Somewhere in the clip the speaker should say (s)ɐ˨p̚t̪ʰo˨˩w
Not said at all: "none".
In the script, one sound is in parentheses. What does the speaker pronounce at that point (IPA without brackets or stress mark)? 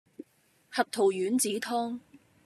h